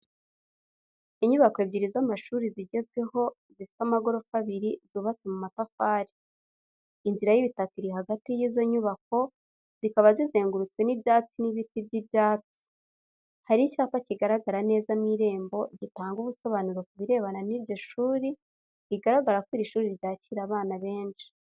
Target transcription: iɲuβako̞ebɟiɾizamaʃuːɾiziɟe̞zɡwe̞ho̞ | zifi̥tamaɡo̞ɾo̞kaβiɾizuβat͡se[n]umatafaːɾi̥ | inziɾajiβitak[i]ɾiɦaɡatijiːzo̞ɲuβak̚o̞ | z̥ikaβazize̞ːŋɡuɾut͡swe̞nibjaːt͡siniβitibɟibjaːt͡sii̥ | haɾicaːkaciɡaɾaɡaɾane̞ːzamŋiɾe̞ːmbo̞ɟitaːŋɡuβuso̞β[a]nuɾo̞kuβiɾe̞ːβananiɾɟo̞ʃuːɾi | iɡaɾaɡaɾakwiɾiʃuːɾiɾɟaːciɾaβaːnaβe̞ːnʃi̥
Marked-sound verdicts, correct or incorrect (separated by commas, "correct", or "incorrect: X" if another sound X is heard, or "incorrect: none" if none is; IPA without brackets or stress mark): incorrect: m, correct, correct